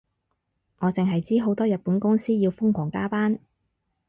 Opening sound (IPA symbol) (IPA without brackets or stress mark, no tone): ŋ